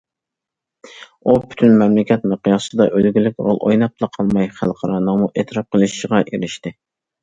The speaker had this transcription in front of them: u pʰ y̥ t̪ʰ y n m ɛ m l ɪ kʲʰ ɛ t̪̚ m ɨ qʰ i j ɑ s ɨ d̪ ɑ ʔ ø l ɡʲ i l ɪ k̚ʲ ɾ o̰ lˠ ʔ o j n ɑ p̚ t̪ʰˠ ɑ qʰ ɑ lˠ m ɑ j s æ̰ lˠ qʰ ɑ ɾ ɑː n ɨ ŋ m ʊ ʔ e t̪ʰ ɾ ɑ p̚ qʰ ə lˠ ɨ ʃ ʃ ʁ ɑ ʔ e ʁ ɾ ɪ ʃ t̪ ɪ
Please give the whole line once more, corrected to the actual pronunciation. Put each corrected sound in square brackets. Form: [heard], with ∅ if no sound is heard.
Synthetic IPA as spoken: u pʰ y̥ t̪ʰ y n m ɛ m l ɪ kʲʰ ɛ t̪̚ m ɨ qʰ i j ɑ s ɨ d̪ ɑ ʔ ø l ɡʲ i l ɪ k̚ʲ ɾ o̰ lˠ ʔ o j n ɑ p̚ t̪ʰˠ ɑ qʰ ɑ lˠ m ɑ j [χ] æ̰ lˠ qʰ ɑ ɾ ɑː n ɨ ŋ m [u] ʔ e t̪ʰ ɾ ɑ p̚ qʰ ə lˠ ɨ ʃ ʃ ʁ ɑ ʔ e [∅] ɾ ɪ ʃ t̪ ɪ